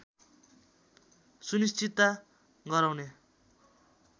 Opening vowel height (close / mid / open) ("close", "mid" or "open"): close